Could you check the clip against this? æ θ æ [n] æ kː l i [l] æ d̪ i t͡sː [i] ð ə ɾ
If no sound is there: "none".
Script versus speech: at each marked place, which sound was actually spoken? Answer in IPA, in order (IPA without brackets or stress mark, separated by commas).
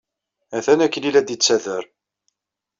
n, l, æ